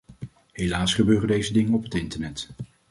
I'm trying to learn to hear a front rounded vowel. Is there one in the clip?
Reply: yes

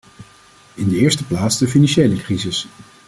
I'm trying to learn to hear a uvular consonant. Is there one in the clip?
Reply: no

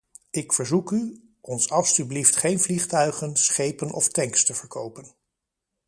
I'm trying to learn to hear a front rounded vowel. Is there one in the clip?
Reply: yes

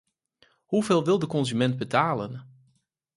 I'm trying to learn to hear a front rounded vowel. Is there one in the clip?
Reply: yes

